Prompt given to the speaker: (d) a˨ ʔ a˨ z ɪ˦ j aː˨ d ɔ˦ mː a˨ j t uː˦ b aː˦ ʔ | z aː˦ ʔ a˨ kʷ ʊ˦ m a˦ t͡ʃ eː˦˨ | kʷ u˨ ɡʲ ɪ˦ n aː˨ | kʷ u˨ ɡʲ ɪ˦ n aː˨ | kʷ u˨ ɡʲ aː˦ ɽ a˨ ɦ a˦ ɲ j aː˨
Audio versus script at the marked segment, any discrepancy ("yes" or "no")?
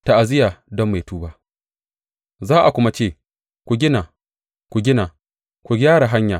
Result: yes